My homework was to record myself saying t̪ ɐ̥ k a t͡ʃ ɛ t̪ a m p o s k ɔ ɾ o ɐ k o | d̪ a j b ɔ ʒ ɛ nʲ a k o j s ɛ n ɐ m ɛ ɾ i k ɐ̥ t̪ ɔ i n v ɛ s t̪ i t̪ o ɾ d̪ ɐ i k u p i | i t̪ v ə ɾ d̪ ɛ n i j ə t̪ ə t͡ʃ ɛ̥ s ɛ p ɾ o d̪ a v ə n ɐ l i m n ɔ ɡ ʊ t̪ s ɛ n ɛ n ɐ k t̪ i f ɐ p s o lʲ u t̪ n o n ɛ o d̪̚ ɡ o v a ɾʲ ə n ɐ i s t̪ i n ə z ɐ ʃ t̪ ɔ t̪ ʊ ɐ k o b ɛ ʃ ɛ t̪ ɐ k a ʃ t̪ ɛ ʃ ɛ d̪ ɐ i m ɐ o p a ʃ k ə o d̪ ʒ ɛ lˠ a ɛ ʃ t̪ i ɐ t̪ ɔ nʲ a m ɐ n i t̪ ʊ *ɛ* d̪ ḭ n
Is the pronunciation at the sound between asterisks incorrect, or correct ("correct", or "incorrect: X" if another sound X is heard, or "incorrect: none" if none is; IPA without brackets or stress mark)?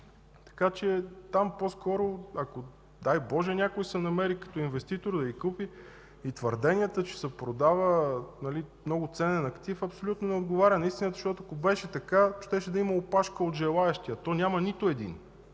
correct